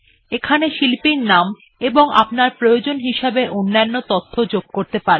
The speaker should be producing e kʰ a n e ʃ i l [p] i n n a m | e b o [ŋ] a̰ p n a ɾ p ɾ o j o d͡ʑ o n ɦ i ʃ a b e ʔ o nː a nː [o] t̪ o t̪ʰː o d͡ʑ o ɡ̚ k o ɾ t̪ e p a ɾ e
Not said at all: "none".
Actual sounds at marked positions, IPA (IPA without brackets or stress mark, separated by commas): p, ŋ, o